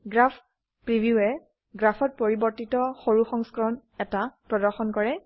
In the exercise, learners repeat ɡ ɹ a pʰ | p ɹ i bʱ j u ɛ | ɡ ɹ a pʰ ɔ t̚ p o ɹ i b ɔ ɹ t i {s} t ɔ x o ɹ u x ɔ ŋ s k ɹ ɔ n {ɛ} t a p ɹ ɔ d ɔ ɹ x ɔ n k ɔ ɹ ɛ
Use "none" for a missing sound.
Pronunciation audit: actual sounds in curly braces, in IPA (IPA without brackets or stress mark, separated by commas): none, ɛ